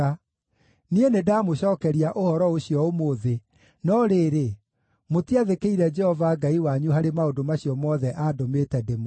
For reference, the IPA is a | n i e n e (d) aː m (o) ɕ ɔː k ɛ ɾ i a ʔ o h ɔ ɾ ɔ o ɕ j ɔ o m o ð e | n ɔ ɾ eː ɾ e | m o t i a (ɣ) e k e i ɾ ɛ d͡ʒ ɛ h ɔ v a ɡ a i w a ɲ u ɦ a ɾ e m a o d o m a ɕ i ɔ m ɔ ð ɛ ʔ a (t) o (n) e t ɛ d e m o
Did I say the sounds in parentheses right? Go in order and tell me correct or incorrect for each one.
correct, correct, incorrect, incorrect, incorrect

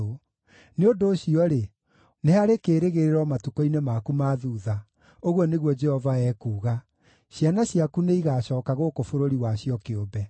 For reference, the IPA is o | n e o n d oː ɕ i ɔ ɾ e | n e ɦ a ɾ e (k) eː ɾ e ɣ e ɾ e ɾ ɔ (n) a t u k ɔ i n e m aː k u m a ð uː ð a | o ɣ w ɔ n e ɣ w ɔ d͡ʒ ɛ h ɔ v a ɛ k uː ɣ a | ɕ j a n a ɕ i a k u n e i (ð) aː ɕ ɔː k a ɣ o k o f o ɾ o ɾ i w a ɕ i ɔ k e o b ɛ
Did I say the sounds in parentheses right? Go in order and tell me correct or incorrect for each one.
correct, incorrect, incorrect

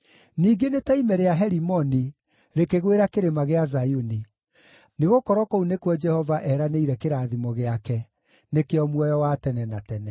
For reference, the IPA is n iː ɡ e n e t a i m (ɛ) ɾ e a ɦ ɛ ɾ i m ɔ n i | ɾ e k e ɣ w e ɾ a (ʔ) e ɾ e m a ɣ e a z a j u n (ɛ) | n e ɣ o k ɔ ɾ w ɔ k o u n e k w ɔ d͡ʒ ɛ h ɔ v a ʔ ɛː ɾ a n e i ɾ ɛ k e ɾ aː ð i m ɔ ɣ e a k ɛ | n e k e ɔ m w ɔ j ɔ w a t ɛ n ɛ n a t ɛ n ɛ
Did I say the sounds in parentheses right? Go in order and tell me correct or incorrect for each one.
correct, incorrect, incorrect

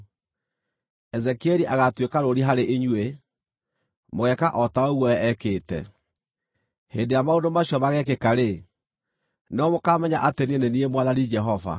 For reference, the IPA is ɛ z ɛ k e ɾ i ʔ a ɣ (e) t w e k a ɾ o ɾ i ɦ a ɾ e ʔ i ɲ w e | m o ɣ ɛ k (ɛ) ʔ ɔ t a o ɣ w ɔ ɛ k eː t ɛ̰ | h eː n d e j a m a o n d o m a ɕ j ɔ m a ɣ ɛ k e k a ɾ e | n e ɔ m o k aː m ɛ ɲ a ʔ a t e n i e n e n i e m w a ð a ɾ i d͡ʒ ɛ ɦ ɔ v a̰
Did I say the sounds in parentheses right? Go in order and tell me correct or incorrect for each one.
incorrect, incorrect

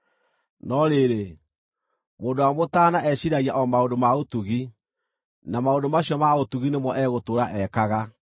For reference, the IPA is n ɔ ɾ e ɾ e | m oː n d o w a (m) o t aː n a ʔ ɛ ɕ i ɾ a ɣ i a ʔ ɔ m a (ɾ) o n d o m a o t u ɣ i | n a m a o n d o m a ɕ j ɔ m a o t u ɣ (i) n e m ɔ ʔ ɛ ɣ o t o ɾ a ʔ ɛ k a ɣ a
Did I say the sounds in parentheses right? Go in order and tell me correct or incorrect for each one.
correct, incorrect, correct

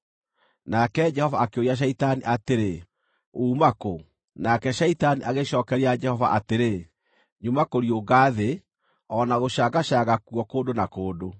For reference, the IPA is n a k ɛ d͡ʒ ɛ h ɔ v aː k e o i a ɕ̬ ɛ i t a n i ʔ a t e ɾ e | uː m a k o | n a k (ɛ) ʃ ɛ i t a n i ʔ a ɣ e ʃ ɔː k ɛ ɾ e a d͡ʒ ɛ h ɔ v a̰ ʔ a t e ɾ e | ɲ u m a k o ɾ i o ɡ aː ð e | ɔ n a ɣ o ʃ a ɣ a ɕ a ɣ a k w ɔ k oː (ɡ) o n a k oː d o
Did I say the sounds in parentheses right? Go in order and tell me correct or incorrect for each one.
correct, incorrect

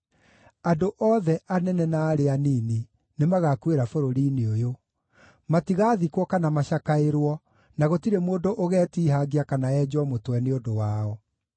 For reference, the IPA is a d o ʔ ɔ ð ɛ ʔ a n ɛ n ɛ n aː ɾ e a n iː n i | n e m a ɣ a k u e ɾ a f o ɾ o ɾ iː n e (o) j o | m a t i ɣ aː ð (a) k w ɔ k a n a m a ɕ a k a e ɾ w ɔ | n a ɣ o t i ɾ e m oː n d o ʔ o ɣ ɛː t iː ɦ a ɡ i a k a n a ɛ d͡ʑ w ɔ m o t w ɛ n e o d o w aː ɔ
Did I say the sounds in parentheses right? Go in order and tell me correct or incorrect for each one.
correct, incorrect

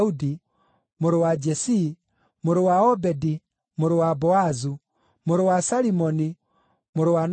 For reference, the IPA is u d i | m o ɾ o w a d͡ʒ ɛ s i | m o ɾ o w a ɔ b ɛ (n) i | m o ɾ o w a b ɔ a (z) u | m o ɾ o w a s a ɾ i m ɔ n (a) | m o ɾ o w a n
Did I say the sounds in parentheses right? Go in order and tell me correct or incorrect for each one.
incorrect, correct, incorrect

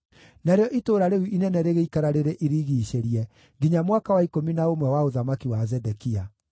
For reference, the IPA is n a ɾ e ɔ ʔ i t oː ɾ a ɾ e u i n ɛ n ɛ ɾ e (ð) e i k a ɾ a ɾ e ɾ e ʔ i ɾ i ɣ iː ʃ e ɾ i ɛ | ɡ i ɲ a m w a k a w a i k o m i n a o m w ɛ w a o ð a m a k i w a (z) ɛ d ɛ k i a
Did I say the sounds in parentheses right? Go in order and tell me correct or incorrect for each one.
incorrect, correct

